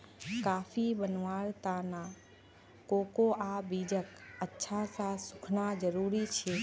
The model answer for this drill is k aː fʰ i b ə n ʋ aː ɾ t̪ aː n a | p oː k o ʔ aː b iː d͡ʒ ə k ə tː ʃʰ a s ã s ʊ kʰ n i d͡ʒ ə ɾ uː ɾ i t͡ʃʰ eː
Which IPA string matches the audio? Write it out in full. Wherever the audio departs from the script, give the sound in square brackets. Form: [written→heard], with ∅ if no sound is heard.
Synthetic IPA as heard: k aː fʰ i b ə n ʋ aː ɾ t̪ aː n a | [p→k] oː k o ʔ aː b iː d͡ʒ ə k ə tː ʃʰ a s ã s ʊ kʰ n [i→a] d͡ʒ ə ɾ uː ɾ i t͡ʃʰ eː